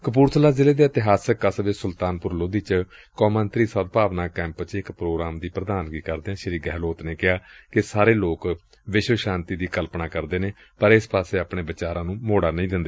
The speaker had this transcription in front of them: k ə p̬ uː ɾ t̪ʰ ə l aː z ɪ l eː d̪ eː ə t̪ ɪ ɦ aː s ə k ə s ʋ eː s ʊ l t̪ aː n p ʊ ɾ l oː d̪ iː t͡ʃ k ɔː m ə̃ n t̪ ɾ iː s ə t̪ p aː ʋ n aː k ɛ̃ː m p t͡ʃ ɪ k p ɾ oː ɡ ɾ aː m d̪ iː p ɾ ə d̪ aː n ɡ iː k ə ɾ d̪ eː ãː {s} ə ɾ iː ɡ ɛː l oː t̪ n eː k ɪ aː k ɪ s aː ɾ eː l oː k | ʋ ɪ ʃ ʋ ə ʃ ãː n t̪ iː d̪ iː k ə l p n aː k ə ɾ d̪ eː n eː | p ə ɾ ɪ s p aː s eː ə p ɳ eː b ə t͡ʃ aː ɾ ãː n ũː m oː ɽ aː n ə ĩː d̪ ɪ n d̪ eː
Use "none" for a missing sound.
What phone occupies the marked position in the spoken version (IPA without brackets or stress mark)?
ʃ